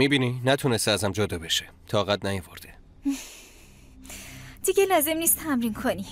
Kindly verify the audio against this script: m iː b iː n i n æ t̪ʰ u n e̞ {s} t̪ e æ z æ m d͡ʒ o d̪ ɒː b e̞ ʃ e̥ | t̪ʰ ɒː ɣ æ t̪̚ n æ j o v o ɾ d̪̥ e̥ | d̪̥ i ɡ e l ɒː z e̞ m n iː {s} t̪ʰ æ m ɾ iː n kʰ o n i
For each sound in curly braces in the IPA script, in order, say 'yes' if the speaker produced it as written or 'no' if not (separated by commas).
yes, yes